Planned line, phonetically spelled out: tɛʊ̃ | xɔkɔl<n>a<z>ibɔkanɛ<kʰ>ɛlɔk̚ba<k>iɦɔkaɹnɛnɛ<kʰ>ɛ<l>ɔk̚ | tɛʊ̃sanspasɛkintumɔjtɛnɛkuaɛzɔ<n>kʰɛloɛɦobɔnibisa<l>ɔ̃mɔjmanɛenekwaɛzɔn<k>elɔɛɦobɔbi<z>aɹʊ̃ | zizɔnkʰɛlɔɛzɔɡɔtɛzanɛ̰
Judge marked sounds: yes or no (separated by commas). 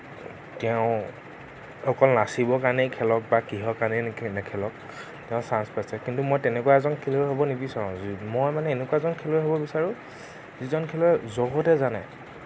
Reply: yes, no, yes, yes, yes, yes, yes, no, no, no